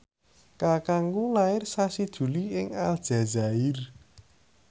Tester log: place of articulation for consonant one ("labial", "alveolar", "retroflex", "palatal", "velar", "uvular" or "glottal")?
velar